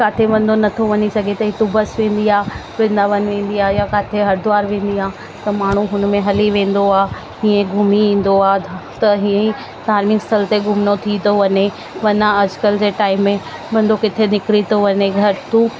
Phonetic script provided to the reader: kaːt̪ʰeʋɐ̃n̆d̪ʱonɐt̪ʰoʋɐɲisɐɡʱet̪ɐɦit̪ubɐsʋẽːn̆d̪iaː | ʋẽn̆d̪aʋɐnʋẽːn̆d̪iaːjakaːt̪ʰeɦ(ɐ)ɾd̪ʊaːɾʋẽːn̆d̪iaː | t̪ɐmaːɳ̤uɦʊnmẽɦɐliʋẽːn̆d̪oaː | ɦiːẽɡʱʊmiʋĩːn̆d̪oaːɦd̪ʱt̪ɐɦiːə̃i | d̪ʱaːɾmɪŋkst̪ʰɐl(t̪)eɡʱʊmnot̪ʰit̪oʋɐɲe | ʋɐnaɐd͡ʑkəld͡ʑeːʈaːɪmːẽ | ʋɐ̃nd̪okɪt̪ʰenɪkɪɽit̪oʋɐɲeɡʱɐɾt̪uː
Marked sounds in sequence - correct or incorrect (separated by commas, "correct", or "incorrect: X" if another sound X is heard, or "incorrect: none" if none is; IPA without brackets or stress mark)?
correct, correct